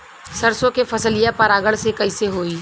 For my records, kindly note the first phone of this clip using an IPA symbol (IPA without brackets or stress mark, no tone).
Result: s